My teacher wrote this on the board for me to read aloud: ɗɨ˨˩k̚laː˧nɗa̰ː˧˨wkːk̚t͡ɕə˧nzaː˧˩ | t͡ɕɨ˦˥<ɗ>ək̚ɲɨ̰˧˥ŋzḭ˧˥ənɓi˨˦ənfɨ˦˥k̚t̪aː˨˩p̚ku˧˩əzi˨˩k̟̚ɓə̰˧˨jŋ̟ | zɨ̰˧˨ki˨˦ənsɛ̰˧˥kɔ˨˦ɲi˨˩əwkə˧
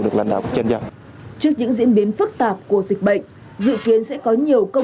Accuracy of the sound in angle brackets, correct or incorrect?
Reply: incorrect